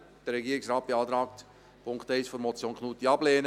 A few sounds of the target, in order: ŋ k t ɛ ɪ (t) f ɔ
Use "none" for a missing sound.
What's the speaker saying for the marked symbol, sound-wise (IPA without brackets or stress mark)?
s